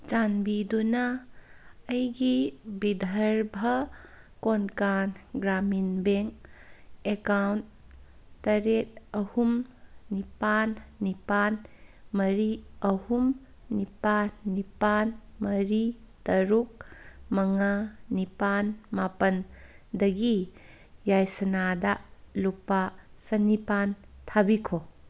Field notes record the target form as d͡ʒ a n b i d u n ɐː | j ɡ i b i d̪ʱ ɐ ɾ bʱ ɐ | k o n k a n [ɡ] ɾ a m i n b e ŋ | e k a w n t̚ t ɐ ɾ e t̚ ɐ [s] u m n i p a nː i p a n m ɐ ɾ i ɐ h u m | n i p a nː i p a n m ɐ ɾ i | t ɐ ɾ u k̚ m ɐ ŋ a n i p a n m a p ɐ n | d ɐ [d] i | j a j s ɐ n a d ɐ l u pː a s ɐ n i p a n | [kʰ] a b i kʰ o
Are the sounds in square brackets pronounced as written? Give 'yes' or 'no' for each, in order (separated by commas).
yes, no, no, no